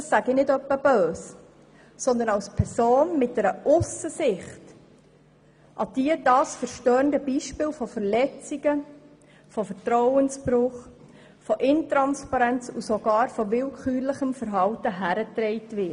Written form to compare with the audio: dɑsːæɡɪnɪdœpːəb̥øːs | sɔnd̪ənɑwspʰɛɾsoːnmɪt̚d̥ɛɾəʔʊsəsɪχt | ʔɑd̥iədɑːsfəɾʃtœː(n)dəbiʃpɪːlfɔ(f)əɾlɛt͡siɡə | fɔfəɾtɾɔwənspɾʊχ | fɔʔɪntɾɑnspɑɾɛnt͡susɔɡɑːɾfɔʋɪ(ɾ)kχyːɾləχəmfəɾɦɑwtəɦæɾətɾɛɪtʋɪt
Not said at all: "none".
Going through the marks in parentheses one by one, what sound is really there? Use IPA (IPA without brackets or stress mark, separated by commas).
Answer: n, f, l